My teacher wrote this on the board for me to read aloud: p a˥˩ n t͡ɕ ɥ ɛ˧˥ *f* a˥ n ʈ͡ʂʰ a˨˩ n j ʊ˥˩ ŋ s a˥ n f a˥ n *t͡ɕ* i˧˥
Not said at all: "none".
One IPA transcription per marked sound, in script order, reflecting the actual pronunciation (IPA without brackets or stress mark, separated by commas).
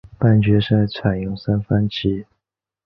ʂ, t͡ɕʰ